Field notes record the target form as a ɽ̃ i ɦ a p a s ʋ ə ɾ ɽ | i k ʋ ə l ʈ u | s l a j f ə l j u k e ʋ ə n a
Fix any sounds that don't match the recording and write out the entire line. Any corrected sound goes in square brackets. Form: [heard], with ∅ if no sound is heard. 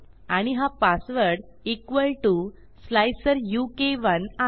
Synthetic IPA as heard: a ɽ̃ i ɦ a p a s ʋ ə ɾ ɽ | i k ʋ ə l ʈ u | s l a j [s] ə [ɾ] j u k e ʋ ə n a